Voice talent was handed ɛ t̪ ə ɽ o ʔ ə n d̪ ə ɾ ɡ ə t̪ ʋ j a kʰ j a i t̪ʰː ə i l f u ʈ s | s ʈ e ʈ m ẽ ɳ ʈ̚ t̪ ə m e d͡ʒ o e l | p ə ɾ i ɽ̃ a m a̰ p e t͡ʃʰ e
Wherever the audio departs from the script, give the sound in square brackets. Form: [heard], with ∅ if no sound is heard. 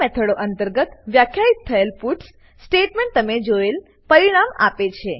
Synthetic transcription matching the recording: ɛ [t̪ʰ] ə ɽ o ʔ ə n [t̪] ə ɾ ɡ ə t̪ ʋ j a kʰ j a i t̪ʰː ə [e] l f u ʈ s | s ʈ e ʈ m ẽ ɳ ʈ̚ t̪ ə m e d͡ʒ o e l | p ə ɾ i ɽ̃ a m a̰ p e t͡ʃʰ e

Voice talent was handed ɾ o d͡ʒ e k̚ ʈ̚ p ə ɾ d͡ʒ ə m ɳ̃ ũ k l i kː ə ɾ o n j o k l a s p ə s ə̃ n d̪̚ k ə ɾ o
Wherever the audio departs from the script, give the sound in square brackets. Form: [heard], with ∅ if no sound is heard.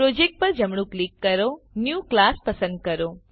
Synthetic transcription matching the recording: ɾ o d͡ʒ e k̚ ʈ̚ p ə ɾ d͡ʒ ə m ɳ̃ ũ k l i kː ə ɾ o n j [u] k l a s p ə s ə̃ n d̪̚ k ə ɾ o

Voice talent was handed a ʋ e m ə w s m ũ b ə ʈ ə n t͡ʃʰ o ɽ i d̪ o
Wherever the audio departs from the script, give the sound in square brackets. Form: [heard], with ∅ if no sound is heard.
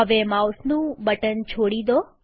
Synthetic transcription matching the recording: [ə] ʋ e m [a] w s [n] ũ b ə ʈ ə n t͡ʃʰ o ɽ i d̪ o

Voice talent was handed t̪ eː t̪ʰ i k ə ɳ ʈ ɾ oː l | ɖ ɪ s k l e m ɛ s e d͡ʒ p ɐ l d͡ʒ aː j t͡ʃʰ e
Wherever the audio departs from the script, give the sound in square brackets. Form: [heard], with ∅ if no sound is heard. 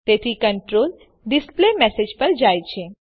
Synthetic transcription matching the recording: t̪ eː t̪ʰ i k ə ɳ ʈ ɾ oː l | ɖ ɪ s [p] l e m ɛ s e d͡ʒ p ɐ [ɾ] d͡ʒ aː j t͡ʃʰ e

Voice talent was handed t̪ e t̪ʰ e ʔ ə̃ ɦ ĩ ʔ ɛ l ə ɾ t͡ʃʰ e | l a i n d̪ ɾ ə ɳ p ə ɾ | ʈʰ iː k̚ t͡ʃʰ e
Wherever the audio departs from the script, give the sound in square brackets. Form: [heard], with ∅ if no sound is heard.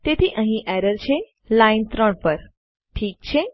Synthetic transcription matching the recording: t̪ e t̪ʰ [i] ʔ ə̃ ɦ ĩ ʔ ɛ [ɾ] ə ɾ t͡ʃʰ e | l a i n [t̪] ɾ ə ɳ p ə ɾ | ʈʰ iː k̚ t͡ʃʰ e

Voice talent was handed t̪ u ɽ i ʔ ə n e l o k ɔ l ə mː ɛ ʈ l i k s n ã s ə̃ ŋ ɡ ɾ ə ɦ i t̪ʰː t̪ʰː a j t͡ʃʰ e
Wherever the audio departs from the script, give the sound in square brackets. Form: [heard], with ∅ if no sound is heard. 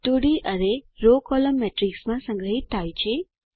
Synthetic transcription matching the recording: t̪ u ɽ i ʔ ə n e [ɾ] o k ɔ l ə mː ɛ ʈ [ɾ] i k s [m] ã s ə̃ ŋ ɡ ɾ ə ɦ i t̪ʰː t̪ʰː a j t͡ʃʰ e

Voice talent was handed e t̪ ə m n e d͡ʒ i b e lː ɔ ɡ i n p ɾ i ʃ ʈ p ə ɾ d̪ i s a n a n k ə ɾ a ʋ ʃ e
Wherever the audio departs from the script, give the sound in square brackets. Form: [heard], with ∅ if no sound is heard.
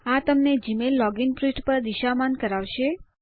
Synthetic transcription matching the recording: [a] t̪ ə m n e d͡ʒ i [m] e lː ɔ ɡ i n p ɾ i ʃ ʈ p ə ɾ d̪ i [ʃ] a [m] a n k ə ɾ a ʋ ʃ e

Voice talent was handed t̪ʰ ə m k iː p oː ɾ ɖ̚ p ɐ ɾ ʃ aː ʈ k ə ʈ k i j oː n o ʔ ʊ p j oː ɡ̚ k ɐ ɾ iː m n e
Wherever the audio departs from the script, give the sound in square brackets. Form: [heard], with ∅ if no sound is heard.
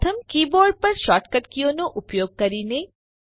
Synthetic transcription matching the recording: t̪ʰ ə m k iː [b] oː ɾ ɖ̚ p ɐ ɾ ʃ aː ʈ k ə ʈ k i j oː n o ʔ ʊ p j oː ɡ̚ k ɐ ɾ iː [∅] n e

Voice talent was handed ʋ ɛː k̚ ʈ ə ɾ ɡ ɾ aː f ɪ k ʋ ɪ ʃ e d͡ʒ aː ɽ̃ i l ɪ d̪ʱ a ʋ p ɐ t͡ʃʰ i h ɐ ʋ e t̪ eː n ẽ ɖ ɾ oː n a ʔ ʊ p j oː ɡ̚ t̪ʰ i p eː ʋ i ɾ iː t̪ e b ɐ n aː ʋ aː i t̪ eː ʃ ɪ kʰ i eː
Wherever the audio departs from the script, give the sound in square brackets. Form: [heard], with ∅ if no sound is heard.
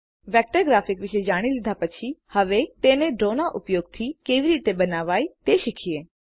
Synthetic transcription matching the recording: ʋ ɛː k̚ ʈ ə ɾ ɡ ɾ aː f ɪ k ʋ ɪ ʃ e d͡ʒ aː ɽ̃ i l ɪ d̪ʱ a [∅] p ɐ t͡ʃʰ i h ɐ ʋ e t̪ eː n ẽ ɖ ɾ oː n a ʔ ʊ p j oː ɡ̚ t̪ʰ i [k] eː ʋ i ɾ iː t̪ e b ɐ n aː ʋ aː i t̪ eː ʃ ɪ kʰ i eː

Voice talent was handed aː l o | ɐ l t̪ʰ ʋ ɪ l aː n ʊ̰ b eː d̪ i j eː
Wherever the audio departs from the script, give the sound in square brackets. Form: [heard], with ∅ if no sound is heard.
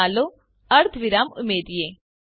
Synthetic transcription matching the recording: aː l o | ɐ [ɾ] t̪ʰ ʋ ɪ [ɾ] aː [m] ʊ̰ [m] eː d̪ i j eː

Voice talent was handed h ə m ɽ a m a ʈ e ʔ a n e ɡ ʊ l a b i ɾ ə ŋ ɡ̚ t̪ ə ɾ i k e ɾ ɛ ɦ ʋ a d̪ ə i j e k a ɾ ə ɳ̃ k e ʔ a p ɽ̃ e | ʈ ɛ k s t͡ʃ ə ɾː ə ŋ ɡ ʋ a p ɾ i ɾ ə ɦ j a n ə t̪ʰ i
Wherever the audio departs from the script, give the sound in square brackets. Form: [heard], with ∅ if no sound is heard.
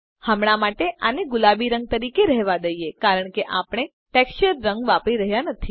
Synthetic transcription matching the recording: h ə m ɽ a m a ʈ e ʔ a n e ɡ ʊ l a b i ɾ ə ŋ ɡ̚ t̪ ə ɾ i k e ɾ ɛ ɦ ʋ a d̪ ə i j e k a ɾ ə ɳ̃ k e ʔ a p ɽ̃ e | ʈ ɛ k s t͡ʃ ə ɾː ə ŋ ɡ ʋ a p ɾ i ɾ ə ɦ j a n ə t̪ʰ i

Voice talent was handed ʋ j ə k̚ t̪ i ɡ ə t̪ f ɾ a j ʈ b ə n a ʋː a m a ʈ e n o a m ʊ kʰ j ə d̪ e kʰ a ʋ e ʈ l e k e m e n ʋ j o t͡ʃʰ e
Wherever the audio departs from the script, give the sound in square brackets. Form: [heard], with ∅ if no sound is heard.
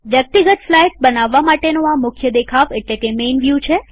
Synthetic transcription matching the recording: ʋ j ə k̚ t̪ i ɡ ə t̪ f [l] a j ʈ b ə n a ʋː a m a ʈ e n o a m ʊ kʰ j ə d̪ e kʰ a ʋ e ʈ l e k e m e n ʋ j [u] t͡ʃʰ e

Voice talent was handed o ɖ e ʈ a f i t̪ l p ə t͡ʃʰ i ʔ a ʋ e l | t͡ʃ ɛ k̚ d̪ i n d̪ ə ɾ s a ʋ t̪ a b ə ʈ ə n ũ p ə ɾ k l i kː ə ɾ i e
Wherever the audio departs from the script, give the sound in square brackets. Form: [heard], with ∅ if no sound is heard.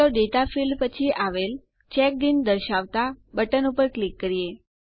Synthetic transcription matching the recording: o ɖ e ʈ a f i [∅] l p ə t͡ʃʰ i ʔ a ʋ e l | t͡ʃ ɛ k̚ d̪ i n d̪ ə ɾ [ʃ] a ʋ t̪ a b ə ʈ ə n [u] p ə ɾ k l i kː ə ɾ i e

